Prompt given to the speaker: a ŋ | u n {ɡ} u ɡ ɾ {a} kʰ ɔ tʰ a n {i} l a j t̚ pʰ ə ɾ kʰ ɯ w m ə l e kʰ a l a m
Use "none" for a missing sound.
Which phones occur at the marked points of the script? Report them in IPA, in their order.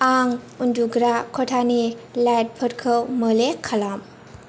d, a, i

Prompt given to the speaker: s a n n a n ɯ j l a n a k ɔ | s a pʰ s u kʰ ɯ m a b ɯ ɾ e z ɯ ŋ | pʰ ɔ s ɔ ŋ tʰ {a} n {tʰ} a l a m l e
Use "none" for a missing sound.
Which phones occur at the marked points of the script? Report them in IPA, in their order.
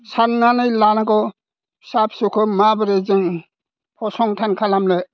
a, kʰ

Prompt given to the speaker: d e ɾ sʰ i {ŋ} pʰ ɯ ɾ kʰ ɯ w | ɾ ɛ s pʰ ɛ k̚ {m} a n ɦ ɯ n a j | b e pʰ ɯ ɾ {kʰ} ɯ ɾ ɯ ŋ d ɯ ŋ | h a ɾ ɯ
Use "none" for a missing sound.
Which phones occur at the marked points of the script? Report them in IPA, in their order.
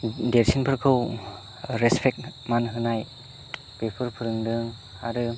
n, m, pʰ

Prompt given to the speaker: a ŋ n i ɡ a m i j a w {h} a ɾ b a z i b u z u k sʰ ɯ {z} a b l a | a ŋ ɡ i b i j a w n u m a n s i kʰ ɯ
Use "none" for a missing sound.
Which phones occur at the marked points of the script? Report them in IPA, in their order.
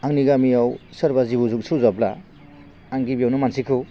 s, z

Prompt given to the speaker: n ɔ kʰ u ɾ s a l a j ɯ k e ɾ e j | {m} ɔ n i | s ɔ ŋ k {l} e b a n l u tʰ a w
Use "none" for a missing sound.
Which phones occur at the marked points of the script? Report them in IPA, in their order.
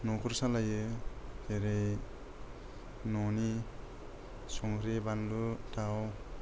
n, ɾ

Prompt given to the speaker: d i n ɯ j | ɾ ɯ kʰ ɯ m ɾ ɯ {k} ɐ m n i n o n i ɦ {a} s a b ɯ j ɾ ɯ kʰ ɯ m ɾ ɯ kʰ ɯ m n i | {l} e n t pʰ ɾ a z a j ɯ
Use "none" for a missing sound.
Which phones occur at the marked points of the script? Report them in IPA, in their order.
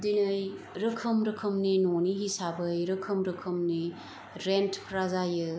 kʰ, i, ɾ

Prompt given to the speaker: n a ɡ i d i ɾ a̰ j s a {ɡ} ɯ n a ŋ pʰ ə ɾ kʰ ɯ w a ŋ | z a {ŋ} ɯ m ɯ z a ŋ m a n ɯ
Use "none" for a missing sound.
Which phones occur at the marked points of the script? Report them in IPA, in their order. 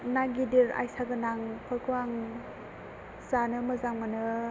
ɡ, n

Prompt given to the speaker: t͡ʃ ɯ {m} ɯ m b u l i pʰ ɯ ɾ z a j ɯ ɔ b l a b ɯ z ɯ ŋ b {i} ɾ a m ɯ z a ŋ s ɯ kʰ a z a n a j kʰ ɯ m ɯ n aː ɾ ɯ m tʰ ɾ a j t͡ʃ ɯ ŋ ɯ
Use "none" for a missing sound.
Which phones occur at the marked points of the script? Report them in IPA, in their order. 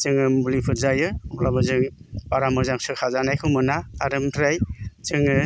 ŋ, a

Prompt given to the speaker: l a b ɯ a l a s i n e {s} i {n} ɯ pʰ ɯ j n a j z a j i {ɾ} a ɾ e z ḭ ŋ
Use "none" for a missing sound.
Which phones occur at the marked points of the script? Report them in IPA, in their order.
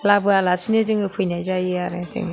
z, ŋ, none

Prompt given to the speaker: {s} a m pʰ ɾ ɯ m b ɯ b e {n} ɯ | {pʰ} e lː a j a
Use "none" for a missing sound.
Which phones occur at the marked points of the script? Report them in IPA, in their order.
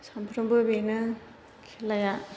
s, n, kʰ

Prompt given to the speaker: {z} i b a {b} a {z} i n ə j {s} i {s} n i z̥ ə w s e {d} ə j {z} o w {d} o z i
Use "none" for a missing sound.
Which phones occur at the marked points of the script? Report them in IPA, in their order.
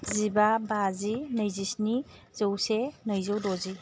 z, b, z, z, s, n, z, d

